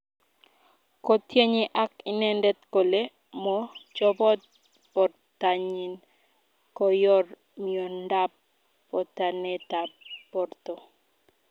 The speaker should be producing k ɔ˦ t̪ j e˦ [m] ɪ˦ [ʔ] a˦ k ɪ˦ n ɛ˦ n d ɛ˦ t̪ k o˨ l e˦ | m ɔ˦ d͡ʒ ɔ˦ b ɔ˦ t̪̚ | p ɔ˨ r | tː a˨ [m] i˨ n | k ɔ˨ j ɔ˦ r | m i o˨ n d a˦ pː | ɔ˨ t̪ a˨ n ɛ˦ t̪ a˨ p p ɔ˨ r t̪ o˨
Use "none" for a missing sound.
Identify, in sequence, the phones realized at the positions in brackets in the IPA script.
ɲ, ʔ, ɲ

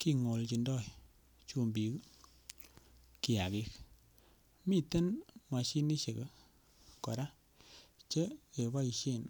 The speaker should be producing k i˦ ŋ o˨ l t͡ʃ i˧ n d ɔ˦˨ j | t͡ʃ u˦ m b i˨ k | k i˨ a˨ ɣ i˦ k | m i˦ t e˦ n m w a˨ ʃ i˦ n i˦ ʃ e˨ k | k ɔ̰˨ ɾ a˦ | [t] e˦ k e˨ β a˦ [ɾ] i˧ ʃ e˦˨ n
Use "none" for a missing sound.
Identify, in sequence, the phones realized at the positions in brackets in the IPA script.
t͡ʃ, none

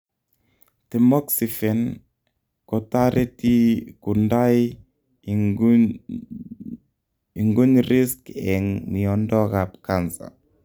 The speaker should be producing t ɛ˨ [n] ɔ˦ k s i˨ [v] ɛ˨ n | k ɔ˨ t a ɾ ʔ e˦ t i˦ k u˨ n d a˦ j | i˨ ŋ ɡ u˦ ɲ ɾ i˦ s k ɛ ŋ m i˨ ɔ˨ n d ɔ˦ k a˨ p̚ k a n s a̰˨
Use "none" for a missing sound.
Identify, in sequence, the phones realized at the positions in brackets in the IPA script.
m, f

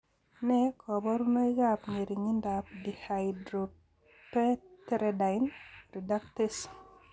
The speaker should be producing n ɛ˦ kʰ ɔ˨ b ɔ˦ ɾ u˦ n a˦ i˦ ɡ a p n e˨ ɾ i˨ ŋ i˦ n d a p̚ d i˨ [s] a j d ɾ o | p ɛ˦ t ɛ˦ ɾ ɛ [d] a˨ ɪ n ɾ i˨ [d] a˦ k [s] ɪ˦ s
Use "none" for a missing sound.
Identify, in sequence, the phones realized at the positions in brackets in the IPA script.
h, d, d, t

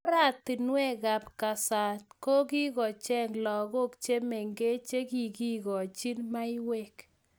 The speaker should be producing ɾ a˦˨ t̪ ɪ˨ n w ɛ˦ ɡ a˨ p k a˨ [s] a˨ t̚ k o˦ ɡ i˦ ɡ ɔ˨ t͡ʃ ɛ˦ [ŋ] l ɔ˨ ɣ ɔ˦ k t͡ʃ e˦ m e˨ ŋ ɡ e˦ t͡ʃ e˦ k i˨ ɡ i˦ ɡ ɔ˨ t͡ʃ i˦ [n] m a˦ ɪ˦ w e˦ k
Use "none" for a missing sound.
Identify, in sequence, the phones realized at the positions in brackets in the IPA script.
s, ŋ, n

